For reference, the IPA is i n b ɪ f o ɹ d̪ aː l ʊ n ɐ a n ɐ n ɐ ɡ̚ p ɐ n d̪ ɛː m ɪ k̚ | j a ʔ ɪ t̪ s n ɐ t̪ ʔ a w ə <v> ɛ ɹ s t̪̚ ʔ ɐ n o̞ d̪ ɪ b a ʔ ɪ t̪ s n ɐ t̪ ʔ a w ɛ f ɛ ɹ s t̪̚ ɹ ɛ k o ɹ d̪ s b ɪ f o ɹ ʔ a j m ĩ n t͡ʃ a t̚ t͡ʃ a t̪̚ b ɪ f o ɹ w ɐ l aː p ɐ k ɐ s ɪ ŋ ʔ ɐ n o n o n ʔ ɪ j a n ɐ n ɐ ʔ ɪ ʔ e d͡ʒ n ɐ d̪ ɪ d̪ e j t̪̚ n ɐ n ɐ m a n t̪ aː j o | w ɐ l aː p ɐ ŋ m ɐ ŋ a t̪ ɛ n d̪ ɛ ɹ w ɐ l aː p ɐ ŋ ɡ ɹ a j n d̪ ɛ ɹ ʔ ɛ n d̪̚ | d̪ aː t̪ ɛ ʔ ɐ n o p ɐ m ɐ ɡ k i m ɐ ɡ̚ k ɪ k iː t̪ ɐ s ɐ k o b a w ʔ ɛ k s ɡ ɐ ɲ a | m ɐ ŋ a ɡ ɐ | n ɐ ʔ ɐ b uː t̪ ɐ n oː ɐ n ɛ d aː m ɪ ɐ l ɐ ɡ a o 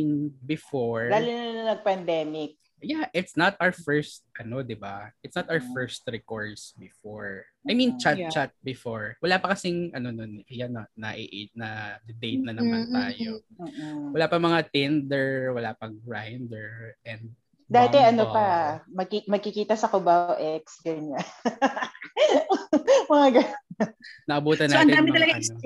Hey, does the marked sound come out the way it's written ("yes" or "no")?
no